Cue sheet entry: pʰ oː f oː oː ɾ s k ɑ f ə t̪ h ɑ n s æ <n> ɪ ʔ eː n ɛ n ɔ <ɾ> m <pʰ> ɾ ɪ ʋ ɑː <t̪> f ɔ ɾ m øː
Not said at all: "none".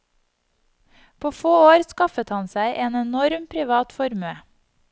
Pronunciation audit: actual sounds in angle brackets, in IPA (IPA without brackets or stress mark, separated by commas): none, ɾ, pʰ, t̪